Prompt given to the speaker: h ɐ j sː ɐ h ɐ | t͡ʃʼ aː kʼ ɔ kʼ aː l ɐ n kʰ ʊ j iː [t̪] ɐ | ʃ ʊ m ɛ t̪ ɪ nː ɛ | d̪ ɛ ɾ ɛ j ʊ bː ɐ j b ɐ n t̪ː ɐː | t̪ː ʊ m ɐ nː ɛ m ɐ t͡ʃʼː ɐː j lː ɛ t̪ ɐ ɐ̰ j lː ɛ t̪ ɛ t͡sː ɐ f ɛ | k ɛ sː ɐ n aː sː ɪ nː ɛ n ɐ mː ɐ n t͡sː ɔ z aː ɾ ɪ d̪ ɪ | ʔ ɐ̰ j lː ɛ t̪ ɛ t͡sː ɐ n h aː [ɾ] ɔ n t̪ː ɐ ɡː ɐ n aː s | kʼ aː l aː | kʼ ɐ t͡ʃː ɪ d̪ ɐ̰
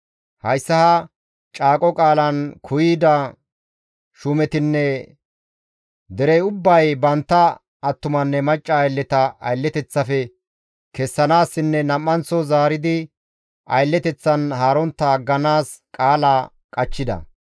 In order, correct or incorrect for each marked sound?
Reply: incorrect, correct

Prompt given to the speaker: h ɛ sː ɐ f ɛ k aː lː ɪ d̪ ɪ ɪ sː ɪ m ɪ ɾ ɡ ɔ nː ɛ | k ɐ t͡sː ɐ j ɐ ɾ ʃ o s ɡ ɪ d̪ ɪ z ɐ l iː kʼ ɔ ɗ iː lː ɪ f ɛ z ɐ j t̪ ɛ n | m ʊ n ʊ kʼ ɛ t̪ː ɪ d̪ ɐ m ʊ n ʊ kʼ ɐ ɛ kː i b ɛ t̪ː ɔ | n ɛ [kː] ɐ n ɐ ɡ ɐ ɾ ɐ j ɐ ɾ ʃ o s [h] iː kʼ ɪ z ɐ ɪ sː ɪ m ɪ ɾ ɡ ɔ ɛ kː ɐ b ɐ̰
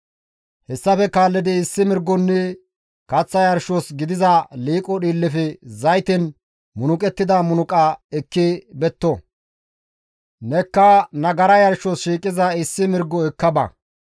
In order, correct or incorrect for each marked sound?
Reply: correct, incorrect

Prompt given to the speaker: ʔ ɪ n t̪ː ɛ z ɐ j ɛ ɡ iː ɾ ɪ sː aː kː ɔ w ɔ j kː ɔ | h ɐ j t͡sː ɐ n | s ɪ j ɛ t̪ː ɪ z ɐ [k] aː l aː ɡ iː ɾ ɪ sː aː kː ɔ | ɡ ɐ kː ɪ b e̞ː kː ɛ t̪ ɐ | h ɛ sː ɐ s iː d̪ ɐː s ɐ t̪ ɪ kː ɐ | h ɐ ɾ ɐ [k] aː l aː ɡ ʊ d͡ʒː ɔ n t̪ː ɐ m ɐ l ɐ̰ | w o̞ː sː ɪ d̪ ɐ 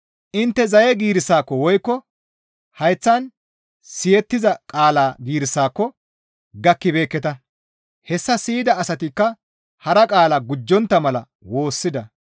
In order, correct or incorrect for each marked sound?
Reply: incorrect, incorrect

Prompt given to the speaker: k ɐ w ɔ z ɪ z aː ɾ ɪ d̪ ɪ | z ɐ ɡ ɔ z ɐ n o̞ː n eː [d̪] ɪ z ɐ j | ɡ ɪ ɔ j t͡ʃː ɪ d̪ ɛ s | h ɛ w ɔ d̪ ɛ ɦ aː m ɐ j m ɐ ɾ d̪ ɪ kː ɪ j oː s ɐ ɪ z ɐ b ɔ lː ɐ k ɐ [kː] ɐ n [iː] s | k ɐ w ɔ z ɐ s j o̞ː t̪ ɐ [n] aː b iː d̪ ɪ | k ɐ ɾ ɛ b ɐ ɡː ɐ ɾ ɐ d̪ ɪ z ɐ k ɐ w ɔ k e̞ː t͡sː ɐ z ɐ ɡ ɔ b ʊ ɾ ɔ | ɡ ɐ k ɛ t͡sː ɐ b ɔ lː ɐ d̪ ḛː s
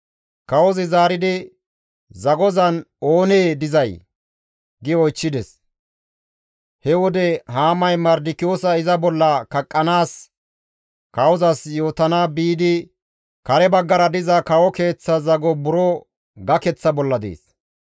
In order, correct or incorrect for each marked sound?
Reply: correct, incorrect, incorrect, correct

